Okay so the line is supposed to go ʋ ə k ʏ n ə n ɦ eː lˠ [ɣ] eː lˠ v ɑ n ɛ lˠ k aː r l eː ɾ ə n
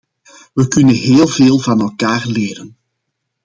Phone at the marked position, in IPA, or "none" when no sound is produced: v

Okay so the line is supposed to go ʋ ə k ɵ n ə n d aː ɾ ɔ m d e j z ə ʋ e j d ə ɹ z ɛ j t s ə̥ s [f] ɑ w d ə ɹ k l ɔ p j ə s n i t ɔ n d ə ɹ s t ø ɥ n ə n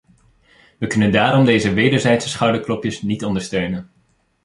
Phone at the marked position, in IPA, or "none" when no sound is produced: χ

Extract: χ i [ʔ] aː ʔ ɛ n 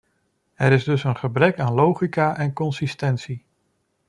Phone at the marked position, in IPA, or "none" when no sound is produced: k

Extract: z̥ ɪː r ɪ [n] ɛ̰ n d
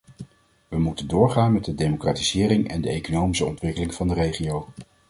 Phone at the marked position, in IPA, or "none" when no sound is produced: ŋ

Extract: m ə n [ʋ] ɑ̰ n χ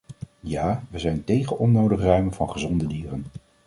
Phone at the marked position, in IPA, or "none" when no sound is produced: v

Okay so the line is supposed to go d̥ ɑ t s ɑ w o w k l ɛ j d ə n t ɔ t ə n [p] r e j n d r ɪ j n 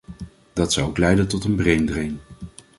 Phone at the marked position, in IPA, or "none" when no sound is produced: b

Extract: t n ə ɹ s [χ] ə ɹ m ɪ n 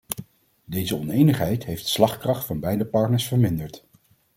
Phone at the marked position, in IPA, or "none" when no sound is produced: f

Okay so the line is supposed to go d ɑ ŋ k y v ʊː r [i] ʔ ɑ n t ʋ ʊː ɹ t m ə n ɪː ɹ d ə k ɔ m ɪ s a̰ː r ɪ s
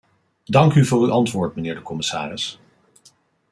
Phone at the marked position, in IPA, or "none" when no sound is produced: y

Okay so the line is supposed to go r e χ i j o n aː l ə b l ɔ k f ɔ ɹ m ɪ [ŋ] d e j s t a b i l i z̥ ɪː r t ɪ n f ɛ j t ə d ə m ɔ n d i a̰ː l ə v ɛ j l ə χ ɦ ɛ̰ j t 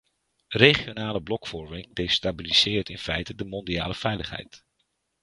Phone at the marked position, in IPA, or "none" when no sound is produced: ŋ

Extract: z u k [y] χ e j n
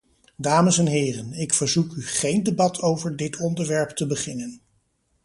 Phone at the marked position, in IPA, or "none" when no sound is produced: y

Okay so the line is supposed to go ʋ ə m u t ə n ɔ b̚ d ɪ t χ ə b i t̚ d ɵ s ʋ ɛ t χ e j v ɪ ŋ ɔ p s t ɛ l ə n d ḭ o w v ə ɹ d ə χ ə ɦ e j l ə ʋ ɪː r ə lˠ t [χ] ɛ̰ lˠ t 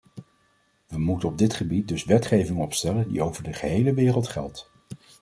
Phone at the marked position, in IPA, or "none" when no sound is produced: χ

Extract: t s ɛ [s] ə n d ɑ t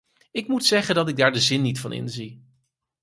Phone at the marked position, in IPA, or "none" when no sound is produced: χ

